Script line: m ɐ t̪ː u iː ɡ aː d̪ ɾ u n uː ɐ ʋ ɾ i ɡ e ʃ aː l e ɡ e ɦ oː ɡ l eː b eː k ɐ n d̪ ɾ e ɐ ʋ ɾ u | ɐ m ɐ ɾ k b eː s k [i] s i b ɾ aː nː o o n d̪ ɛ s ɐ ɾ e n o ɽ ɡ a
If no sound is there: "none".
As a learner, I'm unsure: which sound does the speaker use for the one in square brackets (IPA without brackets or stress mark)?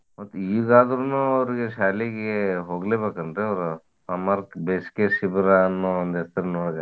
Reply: e